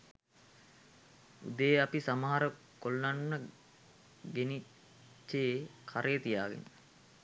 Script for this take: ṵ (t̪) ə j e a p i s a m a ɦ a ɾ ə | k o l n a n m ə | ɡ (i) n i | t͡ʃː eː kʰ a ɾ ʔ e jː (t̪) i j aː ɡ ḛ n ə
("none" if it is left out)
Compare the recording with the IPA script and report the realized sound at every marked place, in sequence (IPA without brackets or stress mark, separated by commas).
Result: d̪, e, t̪